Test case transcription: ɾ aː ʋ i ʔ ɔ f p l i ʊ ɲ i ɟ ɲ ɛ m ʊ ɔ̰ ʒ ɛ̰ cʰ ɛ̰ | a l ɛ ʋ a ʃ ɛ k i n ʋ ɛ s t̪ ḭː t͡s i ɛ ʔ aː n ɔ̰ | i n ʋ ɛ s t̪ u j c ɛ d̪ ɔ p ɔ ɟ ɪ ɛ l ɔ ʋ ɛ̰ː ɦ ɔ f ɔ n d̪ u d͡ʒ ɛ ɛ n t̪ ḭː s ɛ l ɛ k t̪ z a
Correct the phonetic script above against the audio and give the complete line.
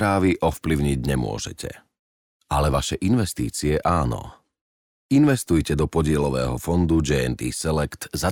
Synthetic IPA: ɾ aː ʋ i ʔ ɔ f p l i ʊ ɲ i ɟ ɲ ɛ m ʊ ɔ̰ ʒ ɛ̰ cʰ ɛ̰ | a l ɛ ʋ a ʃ ɛ ʔ i n ʋ ɛ s t̪ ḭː t͡s i ɛ ʔ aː n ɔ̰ | i n ʋ ɛ s t̪ u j c ɛ d̪ ɔ p ɔ ɟ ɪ ɛ l ɔ ʋ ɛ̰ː ɦ ɔ f ɔ n d̪ u d͡ʒ ɛ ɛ n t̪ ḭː s ɛ l ɛ k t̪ z a